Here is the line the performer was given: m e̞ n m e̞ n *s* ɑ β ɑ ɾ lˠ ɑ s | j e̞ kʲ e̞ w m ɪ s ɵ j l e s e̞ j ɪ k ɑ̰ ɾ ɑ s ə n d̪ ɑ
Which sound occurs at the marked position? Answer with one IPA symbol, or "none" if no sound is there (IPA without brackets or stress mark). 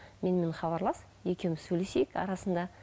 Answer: χ